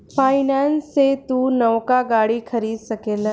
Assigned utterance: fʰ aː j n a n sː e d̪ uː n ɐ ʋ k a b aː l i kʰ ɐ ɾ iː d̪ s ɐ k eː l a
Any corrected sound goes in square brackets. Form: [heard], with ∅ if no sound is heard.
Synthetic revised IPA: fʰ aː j n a n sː e [t̪] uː n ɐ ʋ k a [ɡ] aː [ɽ] i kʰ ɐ ɾ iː d̪ s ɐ k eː l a